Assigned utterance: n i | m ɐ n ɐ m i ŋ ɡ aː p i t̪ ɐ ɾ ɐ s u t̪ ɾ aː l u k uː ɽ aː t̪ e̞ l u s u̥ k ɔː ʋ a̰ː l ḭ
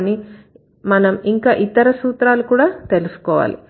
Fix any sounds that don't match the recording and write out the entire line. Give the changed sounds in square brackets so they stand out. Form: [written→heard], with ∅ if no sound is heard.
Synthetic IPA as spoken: n i | m ɐ n ɐ m i ŋ [ɡ→k] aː [p→ʔ] i t̪ ɐ ɾ ɐ s [u→uː] t̪ ɾ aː l u k uː ɽ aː t̪ e̞ l u s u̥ k ɔː ʋ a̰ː l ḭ